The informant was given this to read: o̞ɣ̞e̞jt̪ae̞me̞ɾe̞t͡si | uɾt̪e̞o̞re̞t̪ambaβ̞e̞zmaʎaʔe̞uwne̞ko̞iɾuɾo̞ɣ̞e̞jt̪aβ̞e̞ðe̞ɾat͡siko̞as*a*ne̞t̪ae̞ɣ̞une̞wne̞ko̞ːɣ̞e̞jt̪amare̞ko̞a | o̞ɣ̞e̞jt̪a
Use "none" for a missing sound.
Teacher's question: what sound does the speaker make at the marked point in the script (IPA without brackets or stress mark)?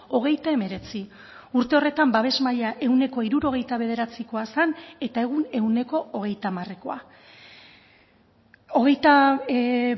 a